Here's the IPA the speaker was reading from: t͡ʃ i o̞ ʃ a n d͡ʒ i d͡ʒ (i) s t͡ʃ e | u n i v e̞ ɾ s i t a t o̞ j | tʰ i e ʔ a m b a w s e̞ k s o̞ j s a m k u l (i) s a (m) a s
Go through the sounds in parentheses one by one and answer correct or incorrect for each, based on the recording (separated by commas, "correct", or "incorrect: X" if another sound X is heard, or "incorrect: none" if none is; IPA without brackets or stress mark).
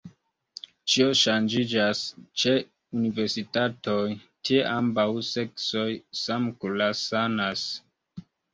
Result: incorrect: a, incorrect: a, incorrect: n